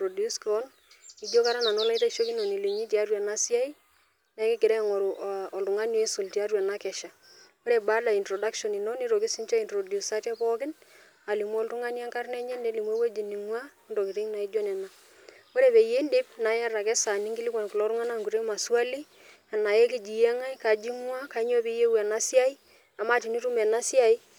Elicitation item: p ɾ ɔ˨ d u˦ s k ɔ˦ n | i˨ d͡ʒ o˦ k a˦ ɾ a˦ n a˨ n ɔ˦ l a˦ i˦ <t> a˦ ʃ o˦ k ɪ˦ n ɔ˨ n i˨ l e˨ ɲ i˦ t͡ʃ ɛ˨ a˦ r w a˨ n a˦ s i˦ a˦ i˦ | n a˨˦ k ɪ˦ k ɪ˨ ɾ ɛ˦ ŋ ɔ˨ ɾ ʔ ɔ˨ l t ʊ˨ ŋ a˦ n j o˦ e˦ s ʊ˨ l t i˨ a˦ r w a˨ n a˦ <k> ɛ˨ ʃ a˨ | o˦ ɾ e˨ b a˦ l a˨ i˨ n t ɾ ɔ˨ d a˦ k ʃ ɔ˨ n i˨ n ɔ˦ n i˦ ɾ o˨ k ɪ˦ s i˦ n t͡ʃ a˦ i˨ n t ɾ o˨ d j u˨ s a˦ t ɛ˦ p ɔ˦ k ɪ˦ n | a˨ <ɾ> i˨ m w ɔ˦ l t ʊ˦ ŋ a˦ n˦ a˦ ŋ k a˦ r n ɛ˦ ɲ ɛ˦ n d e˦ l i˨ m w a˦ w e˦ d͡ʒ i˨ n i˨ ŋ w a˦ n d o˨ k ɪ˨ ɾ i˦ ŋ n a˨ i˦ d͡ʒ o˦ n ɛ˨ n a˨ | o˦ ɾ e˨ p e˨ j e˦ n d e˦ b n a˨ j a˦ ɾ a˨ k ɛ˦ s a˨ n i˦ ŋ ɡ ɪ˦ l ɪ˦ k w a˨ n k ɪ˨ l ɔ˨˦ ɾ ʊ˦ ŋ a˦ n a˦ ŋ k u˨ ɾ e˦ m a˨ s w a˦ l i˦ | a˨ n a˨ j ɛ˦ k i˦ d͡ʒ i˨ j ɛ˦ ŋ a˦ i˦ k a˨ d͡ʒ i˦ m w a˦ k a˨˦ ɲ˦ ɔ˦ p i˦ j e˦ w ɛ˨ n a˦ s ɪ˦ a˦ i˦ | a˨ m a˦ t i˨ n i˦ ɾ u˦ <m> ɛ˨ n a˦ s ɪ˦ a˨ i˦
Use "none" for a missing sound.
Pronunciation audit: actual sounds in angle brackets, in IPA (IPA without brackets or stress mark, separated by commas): t, k, l, m